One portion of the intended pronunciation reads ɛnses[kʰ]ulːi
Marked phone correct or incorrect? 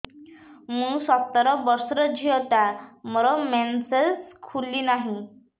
correct